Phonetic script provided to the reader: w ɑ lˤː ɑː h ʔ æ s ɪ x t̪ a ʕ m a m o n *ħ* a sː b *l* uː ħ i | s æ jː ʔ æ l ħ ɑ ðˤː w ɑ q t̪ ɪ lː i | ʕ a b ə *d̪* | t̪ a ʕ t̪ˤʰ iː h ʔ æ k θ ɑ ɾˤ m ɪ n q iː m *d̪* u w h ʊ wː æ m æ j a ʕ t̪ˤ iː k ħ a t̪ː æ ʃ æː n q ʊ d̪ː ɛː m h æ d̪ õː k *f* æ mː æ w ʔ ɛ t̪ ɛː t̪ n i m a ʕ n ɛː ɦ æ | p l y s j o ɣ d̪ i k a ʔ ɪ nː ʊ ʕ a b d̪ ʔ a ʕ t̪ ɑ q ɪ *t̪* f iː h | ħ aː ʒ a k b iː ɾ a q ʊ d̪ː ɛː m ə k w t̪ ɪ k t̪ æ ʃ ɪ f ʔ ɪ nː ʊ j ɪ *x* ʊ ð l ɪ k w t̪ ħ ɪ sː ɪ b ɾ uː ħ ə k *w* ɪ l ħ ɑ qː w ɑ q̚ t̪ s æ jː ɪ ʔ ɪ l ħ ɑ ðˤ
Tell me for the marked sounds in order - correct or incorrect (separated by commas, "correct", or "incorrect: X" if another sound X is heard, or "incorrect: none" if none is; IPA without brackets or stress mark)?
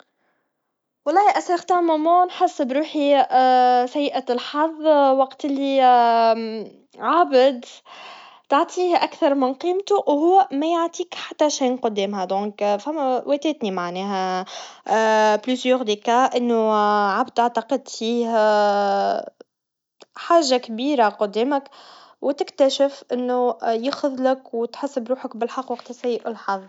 correct, incorrect: ɾ, correct, incorrect: t̪, correct, incorrect: d̪, correct, incorrect: b